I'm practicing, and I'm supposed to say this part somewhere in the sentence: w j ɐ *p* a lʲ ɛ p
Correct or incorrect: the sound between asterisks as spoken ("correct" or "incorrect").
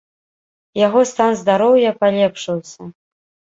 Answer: correct